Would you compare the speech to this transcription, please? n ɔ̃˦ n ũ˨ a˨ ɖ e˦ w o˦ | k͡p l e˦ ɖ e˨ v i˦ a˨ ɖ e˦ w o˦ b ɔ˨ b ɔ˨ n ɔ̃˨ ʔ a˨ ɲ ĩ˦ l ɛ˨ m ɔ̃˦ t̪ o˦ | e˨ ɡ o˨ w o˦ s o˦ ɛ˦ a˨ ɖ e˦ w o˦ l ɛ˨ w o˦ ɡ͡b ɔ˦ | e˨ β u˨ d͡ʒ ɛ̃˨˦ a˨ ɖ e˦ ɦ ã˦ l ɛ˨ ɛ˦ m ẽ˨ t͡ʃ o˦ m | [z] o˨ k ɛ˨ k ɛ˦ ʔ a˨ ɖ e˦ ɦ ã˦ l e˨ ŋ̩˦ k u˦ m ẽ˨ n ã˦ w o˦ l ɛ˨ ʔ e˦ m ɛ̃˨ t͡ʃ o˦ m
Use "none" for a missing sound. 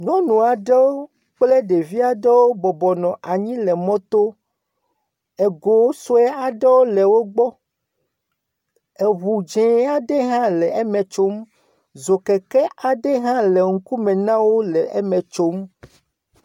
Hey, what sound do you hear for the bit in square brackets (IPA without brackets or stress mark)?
z